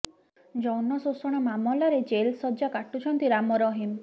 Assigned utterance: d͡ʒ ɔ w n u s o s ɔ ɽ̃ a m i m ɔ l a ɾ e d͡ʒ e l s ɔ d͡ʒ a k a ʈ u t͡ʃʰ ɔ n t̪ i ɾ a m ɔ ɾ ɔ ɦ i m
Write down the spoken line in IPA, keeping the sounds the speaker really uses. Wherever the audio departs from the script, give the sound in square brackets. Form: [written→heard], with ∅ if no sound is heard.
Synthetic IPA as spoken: d͡ʒ ɔ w n [u→ɔ] s o s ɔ ɽ̃ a m [i→a] m ɔ l a ɾ e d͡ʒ e l s ɔ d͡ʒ a k a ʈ u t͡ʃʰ ɔ n t̪ i ɾ a m ɔ ɾ ɔ ɦ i m